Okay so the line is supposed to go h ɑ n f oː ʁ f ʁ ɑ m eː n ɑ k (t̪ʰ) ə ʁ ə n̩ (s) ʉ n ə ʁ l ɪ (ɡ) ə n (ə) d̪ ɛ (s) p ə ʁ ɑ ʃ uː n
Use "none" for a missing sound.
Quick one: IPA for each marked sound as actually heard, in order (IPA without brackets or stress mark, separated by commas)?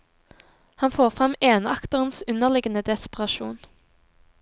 t̪, s, ɡ, ə, s